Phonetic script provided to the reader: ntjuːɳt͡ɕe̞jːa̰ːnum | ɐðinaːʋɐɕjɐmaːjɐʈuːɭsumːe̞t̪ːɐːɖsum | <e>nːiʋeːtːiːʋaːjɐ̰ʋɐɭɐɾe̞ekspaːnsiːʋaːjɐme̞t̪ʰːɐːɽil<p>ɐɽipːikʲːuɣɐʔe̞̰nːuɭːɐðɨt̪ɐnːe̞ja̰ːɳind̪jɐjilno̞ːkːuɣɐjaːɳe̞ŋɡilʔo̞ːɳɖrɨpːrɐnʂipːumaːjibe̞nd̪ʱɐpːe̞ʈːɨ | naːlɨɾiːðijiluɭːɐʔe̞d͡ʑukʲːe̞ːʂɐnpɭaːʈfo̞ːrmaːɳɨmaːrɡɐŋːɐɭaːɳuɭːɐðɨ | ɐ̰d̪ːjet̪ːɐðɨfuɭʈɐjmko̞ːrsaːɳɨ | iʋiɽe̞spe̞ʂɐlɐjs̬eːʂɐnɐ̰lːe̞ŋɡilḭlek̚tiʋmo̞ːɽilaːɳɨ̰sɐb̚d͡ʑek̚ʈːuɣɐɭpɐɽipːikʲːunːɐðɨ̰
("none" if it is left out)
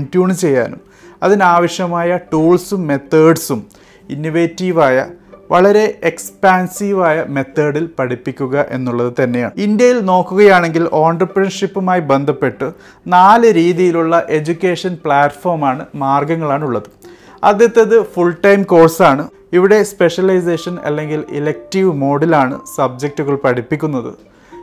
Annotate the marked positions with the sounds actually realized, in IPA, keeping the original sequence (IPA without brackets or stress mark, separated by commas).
i, p